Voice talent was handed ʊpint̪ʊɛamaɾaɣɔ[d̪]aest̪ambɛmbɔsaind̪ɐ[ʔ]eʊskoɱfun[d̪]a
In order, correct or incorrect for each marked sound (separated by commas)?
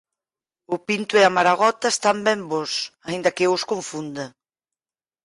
incorrect, incorrect, correct